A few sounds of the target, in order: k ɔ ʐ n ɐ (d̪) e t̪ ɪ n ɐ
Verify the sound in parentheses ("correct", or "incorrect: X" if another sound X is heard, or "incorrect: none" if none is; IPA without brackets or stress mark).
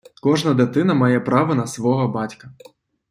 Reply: correct